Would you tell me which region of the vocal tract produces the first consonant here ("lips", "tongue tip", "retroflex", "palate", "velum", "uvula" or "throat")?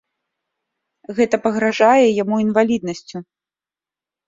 velum